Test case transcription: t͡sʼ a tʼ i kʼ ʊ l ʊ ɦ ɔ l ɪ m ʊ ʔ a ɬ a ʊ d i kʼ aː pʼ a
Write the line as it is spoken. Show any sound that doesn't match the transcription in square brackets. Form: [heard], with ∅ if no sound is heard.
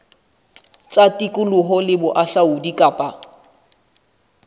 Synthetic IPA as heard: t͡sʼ a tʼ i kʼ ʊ l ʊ ɦ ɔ l ɪ [b] ʊ ʔ a ɬ a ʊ d i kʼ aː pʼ a